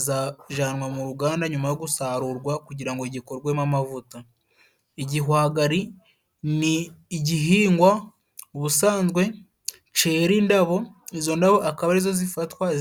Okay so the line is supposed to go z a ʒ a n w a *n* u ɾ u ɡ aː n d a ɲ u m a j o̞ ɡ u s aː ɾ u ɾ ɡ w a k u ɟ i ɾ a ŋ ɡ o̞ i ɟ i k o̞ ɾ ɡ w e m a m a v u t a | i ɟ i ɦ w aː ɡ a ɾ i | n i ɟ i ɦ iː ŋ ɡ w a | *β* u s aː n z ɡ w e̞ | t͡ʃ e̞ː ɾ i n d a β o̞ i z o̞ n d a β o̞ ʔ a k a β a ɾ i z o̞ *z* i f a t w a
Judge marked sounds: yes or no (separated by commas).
no, yes, yes